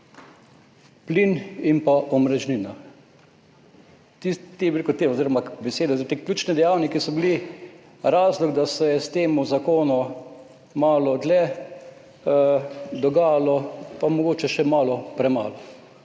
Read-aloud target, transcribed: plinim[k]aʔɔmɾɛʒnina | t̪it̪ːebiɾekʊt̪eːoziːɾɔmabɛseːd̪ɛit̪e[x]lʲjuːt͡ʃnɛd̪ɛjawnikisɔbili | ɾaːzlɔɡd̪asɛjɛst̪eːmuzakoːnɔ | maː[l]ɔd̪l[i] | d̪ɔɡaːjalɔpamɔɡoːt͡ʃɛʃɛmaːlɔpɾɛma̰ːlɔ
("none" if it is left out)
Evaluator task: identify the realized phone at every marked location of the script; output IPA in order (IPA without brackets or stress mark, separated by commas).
p, k, l, ɛ